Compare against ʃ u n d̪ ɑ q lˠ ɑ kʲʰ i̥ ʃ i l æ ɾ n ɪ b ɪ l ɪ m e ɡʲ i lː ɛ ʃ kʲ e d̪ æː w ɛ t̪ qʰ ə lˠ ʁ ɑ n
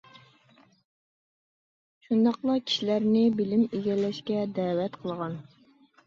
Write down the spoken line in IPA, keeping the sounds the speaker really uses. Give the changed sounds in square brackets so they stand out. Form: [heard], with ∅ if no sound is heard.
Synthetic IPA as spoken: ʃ u n d̪ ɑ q lˠ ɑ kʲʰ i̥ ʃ i l æ ɾ n ɪ b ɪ l ɪ m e ɡʲ [ɛ] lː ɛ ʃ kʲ [ɛ] d̪ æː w ɛ t̪ qʰ ə lˠ ʁ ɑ n